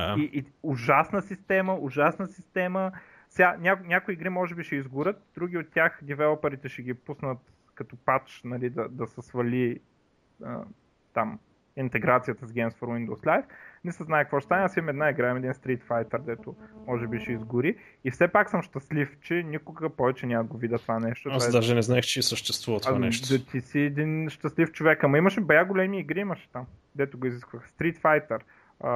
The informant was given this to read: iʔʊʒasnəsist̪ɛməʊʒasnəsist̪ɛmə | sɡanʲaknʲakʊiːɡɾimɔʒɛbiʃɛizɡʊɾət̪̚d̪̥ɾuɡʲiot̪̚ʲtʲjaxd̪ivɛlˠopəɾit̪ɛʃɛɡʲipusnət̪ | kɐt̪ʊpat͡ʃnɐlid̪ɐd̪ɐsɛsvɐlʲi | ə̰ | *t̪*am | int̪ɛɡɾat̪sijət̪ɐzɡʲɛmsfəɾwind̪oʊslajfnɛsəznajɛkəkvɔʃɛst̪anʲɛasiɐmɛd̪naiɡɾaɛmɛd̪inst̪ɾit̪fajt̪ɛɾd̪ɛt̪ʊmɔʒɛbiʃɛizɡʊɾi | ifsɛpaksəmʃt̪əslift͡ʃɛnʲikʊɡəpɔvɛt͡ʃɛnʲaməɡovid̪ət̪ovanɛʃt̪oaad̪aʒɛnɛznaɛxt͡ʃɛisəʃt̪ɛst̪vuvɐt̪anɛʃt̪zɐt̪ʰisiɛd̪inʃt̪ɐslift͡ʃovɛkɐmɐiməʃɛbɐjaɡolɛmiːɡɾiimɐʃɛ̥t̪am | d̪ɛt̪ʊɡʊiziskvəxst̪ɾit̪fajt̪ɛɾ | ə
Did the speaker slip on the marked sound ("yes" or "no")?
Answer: no